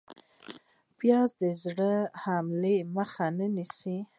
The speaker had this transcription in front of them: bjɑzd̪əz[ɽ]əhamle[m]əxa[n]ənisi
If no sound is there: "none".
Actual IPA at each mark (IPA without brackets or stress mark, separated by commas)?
ɽ, m, n